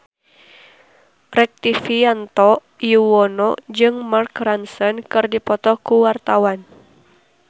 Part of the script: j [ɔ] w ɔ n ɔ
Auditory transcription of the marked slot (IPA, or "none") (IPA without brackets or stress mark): u